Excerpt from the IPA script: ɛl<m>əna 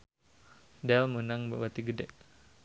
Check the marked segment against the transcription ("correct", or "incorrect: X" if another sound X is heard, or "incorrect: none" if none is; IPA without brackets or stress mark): correct